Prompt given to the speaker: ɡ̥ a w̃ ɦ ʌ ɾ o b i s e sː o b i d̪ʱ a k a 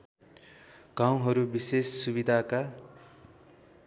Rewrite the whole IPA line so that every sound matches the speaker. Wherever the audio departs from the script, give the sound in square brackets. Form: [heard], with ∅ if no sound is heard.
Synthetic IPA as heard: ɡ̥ a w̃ ɦ ʌ ɾ [u] b i s e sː [u] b i d̪ʱ a k a